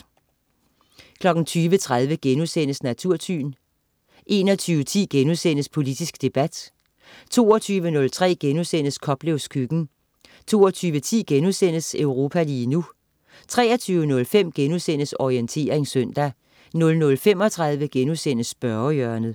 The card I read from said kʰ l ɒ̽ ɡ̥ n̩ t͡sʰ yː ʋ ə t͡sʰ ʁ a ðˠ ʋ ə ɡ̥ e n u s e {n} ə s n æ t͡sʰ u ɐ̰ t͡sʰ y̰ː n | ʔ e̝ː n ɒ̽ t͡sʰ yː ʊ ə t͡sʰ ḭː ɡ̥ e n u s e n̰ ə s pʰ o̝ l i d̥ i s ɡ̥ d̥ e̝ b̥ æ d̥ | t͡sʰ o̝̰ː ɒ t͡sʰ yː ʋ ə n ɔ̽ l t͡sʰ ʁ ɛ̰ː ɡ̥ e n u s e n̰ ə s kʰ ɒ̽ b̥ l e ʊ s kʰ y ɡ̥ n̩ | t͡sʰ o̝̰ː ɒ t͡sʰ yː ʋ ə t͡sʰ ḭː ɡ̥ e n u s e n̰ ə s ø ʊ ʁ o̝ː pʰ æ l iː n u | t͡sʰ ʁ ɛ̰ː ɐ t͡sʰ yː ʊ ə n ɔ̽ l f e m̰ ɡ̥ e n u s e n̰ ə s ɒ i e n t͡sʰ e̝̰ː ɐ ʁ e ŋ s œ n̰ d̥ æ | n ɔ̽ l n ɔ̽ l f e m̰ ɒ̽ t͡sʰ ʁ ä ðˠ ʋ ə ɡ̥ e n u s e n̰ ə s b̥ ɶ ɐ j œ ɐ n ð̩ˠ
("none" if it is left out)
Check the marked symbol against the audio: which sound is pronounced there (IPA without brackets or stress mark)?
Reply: n